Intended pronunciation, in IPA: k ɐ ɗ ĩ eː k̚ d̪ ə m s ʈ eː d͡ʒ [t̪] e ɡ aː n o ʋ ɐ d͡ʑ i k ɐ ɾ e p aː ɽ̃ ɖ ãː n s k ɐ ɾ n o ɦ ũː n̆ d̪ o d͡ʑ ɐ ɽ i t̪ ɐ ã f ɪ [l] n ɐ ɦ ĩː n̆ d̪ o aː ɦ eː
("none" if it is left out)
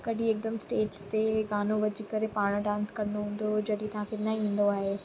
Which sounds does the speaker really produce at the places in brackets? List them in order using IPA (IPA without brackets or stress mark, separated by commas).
t̪, ɾ